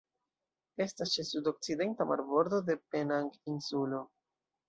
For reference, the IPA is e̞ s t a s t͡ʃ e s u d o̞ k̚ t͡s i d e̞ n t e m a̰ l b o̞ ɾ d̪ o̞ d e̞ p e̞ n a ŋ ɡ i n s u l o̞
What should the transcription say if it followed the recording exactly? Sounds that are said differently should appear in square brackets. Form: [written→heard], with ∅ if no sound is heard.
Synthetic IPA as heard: e̞ s t a s t͡ʃ e s u d o̞ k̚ t͡s i d e̞ n t [e→a] m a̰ [l→ɾ] b o̞ ɾ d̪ o̞ d e̞ p e̞ n a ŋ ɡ i n s u l o̞